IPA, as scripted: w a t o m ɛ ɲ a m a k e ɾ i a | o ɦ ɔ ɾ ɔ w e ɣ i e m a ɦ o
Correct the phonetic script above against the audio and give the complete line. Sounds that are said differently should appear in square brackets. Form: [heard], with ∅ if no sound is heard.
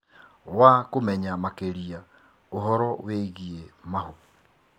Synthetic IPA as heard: w a [k] o m ɛ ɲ a m a k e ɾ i a | o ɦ ɔ ɾ ɔ w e ɣ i e m a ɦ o